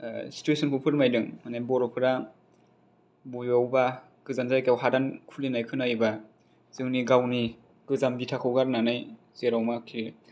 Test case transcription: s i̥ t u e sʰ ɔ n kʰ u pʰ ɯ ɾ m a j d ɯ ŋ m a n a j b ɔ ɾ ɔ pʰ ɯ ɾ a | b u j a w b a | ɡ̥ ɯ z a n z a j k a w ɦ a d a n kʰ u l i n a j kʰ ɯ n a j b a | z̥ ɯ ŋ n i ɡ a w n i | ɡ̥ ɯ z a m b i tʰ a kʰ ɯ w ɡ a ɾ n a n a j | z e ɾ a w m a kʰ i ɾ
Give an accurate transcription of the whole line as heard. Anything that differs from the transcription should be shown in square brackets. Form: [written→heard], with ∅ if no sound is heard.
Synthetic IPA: s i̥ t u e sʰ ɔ n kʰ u pʰ ɯ ɾ m a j d ɯ ŋ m a n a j b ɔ ɾ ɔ pʰ ɯ ɾ a | b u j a w b a | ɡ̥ ɯ z a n z a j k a w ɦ a d a n kʰ u l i n a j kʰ ɯ n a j b a | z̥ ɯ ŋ n i ɡ a w n i | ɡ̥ ɯ z a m b i tʰ a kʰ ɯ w ɡ a ɾ n a n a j | z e ɾ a w m a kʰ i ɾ